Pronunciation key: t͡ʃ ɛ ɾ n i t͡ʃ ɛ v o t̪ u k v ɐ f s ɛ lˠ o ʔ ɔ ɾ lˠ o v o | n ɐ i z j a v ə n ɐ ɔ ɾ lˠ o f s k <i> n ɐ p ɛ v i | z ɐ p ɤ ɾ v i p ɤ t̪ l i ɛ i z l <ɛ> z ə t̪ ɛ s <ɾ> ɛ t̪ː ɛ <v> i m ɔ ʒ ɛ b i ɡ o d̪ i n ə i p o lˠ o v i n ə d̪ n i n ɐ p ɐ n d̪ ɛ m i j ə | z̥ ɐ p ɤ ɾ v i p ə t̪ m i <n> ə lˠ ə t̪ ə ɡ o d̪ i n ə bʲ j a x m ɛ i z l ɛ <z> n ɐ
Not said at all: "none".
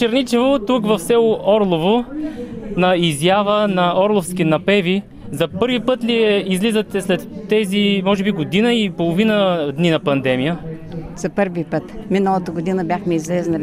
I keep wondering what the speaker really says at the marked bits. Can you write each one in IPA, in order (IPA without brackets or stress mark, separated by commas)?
i, i, l, z, n, z